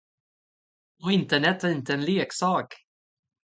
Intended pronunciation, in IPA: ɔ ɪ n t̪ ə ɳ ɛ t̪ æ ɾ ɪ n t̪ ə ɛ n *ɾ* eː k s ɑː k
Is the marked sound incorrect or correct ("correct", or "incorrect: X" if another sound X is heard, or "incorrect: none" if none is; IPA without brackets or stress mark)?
incorrect: l